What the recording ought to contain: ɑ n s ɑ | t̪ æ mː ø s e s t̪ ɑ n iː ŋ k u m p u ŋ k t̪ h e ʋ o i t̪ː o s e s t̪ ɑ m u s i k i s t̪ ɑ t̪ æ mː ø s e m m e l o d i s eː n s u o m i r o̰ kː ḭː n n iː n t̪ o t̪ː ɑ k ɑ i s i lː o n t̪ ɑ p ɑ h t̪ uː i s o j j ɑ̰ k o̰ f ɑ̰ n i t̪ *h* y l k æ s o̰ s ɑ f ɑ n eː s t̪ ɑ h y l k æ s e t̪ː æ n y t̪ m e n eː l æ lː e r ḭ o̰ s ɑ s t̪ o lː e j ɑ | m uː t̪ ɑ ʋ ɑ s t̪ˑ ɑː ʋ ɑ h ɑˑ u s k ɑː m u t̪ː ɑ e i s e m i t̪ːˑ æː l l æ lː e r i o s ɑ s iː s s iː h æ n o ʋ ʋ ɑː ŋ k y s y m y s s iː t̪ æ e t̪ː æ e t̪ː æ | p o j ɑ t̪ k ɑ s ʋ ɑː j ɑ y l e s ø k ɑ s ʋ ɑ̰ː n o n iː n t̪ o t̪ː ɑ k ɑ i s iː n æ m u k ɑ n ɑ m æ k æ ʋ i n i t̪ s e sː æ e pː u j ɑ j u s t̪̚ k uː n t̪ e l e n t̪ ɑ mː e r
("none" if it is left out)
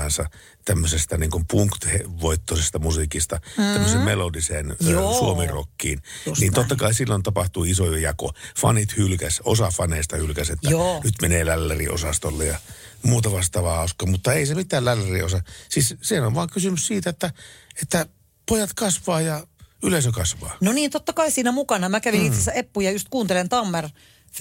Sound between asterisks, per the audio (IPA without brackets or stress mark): h